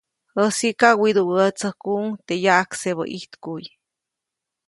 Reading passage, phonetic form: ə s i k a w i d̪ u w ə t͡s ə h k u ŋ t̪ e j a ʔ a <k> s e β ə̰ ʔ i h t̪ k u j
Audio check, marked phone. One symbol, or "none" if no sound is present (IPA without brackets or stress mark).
k